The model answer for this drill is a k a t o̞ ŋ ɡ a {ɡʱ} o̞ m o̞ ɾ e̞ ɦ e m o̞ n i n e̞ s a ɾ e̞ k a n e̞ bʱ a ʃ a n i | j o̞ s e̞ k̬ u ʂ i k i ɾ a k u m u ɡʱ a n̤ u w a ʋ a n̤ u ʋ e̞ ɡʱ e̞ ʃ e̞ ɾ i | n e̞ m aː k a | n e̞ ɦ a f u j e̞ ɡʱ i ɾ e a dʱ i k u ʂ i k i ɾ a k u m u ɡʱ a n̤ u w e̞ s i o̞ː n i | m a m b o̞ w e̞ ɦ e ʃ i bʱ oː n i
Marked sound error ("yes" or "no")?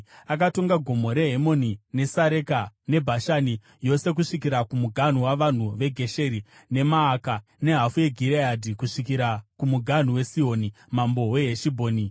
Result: no